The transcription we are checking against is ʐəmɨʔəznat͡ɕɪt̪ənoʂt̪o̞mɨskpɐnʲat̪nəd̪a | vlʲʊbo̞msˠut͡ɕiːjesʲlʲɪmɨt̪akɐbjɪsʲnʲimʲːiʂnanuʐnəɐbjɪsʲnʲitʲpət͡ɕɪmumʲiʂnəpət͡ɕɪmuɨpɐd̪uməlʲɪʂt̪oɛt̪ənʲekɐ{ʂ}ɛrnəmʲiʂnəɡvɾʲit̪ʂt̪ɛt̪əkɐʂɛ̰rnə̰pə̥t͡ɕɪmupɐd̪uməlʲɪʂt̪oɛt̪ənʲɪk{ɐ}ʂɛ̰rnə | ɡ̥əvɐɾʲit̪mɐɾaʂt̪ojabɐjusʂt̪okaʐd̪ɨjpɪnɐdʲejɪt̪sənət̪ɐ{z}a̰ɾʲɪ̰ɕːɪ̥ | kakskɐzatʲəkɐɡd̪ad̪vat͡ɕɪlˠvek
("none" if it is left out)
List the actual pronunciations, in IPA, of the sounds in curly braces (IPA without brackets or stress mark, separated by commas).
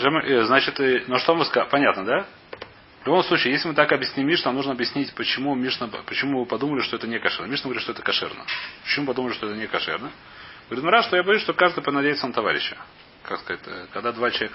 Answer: ʂ, ɐ, v